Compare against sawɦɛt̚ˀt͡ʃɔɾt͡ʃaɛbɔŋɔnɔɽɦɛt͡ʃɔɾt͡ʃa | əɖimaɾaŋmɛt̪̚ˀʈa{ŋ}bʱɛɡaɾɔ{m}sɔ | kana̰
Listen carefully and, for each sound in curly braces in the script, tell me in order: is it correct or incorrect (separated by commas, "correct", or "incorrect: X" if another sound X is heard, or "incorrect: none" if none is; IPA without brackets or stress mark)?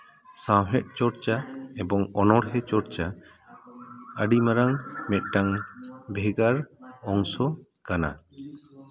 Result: correct, incorrect: ŋ